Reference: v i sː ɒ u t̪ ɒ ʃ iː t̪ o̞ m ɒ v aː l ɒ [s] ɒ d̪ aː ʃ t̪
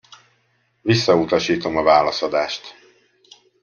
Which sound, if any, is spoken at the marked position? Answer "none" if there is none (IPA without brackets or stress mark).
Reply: s